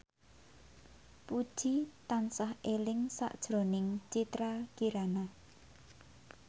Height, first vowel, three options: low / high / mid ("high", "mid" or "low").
high